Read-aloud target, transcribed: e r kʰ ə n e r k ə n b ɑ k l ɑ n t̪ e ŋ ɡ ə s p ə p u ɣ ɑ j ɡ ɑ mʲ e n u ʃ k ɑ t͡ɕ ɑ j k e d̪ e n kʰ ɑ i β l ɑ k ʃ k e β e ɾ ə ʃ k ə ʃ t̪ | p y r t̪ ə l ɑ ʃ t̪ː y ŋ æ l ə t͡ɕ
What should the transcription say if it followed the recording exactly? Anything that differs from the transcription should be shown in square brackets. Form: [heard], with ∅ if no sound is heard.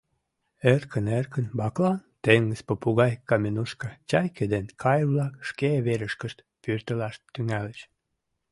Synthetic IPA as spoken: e r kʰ ə n e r k ə n b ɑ k l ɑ n t̪ e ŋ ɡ ə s p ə p u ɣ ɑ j [k] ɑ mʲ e n u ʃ k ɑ t͡ɕ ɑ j k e d̪ e n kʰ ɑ [j] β l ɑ k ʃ k e β e ɾ ə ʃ k ə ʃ t̪ | p y r t̪ ə l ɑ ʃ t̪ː y ŋ æ l ə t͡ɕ